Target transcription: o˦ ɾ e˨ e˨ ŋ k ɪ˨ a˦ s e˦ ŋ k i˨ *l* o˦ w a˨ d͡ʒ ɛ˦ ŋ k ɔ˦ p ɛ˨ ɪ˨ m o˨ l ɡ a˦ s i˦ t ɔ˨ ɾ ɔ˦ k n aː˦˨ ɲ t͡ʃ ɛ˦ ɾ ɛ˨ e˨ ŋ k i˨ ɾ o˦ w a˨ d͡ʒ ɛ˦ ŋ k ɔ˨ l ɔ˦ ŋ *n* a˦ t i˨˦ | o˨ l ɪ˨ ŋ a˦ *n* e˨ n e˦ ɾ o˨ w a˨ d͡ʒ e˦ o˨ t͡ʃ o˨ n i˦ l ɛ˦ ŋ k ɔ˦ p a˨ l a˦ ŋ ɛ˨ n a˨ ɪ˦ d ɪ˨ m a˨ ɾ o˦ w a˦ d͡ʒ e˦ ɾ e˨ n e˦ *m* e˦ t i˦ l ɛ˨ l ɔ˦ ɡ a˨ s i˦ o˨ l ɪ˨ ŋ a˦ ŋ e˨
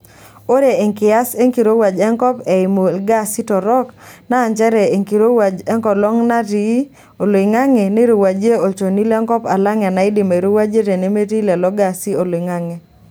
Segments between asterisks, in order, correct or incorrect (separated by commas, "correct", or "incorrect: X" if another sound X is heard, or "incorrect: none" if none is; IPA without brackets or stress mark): incorrect: ɾ, correct, incorrect: ŋ, correct